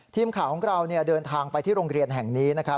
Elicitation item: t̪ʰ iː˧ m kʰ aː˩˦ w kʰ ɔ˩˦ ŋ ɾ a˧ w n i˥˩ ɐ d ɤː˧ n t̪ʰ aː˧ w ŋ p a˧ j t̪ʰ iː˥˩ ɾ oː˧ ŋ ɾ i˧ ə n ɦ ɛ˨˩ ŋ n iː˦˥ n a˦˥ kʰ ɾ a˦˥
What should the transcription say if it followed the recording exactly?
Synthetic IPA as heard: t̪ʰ iː˧ m kʰ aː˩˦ w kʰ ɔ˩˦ ŋ ɾ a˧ w n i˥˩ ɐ d ɤː˧ n t̪ʰ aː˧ ŋ p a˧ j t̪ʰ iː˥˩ ɾ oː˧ ŋ ɾ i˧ ə n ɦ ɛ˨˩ ŋ n iː˦˥ n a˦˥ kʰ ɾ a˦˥

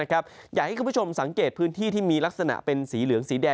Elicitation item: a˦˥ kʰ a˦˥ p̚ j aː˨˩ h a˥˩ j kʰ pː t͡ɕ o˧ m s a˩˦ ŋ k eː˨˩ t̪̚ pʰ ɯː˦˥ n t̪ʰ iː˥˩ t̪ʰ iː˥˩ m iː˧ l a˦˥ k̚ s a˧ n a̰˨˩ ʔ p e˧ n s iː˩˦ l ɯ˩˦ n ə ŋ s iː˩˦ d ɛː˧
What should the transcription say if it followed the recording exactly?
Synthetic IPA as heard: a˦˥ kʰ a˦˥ p̚ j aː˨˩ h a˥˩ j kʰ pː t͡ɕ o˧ m s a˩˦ ŋ k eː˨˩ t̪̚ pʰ ɯː˦˥ n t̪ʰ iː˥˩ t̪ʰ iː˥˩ m iː˧ l a˦˥ k̚ s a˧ n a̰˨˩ ʔ p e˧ n s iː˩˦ l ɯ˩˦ ə ŋ s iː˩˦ d ɛː˧

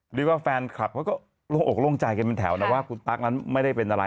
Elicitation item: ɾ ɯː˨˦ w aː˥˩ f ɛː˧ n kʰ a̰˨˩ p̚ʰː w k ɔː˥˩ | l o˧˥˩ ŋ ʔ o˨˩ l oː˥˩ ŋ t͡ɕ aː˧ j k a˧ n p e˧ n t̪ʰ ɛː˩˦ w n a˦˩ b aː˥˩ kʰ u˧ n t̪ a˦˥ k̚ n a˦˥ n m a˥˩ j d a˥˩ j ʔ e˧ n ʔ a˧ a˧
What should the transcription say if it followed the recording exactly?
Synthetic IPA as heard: ɾ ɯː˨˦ w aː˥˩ f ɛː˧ n kʰ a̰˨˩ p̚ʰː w k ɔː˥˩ | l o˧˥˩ ŋ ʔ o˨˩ l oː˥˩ ŋ t͡ɕ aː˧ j k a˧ n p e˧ n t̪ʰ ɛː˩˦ w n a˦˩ w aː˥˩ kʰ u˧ n t̪ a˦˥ k̚ n a˦˥ n m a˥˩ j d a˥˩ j p e˧ n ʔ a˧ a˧

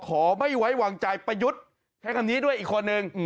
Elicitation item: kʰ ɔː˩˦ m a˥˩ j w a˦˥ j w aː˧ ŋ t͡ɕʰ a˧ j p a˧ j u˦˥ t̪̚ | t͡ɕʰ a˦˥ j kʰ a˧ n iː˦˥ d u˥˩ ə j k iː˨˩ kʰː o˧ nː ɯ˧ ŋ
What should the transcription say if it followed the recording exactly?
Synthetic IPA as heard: kʰ ɔː˩˦ m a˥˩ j w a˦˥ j w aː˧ ŋ t͡ɕ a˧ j p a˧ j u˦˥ t̪̚ | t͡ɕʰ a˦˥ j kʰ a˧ n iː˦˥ d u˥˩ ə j ʔ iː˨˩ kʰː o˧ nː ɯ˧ ŋ

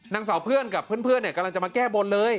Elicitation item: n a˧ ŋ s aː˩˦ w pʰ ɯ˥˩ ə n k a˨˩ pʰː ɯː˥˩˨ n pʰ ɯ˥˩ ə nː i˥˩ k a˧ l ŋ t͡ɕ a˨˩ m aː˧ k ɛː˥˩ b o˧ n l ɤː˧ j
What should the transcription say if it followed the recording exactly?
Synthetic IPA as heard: n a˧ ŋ s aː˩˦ w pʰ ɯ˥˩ ə n k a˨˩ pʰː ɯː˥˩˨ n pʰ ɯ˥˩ ə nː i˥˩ k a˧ l ŋ t͡ɕ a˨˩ m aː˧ k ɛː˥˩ b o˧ n l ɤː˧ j

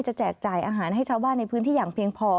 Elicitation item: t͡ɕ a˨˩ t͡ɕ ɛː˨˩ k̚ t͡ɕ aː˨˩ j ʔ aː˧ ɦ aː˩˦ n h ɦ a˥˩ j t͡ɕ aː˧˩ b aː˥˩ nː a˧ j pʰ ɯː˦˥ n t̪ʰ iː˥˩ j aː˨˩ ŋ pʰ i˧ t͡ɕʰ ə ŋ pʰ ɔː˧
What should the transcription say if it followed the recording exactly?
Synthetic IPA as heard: t͡ɕ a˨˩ t͡ɕ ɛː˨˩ k̚ t͡ɕ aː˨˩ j ʔ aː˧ ɦ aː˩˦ n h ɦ a˥˩ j t͡ɕʰ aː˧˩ b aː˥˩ nː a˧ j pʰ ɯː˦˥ n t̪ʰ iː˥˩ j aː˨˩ ŋ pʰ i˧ ə ŋ pʰ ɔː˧

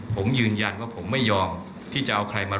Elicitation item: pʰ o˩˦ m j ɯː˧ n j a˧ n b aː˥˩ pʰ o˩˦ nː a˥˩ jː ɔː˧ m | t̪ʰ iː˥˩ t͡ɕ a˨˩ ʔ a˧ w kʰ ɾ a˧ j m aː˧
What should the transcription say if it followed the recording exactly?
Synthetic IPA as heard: pʰ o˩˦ m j ɯː˧ n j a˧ n w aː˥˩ pʰ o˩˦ mː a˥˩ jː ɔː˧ m | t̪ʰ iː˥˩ t͡ɕ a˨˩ ʔ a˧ w kʰ ɾ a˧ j m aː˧

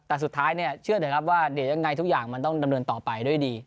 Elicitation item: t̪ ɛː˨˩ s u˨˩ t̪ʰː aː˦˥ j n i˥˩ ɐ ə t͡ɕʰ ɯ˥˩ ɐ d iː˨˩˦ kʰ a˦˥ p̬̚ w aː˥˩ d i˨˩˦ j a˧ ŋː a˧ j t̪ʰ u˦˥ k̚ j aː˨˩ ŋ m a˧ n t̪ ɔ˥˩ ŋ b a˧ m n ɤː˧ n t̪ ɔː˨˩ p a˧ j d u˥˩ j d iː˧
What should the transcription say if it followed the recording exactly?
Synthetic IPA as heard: t̪ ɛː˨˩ s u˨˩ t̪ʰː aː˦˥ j n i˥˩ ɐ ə t͡ɕʰ ɯ˥˩ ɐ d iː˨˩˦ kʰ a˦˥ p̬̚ w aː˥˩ d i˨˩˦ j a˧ ŋː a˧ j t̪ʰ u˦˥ k̚ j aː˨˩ ŋ m a˧ n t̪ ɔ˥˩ ŋ d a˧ m n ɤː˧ n t̪ ɔː˨˩ p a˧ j d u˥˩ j d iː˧

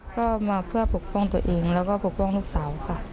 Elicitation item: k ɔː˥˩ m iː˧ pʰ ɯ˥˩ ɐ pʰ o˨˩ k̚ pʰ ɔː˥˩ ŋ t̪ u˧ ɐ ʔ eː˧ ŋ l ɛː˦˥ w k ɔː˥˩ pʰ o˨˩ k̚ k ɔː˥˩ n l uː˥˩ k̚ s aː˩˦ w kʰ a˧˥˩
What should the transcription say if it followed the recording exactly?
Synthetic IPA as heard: k ɔː˥˩ m aː˧ pʰ ɯ˥˩ ɐ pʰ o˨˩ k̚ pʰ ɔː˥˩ ŋ t̪ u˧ ɐ ʔ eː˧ ŋ l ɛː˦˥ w k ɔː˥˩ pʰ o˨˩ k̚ p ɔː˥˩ ŋ l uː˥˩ k̚ s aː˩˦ w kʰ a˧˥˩

